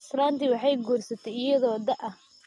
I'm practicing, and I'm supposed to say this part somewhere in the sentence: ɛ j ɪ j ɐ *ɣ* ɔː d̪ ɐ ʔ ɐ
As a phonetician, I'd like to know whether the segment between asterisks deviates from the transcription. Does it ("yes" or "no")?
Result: yes